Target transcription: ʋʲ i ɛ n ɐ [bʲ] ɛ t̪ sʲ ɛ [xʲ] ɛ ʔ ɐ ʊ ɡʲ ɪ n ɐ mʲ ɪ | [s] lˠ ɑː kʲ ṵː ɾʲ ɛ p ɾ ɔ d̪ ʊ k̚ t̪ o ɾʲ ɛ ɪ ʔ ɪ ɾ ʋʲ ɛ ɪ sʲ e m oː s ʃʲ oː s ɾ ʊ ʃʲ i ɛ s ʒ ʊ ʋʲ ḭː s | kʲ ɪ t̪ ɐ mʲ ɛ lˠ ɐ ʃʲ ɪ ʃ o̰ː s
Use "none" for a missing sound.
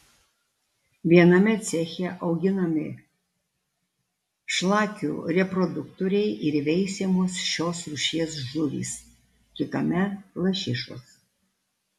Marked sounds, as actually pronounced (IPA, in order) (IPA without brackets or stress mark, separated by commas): mʲ, xʲ, ʃ